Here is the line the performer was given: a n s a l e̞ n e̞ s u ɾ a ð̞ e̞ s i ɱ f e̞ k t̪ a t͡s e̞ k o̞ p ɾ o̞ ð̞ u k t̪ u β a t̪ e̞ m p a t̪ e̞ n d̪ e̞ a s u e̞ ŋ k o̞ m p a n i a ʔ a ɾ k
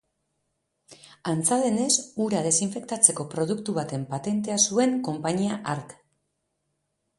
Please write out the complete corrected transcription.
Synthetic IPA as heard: a n t͡s a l e̞ n e̞ s u ɾ a ð̞ e̞ s i ɱ f e̞ k t̪ a t͡s e̞ k o̞ p ɾ o̞ ð̞ u k t̪ u β a t̪ e̞ m p a t̪ e̞ n t̪ e̞ a s u e̞ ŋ k o̞ m p a ɲ i a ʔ a ɾ k